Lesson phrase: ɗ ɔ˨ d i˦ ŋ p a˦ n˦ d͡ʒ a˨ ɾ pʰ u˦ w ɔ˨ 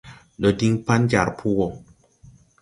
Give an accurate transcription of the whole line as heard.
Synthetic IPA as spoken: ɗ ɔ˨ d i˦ ŋ p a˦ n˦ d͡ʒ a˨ ɾ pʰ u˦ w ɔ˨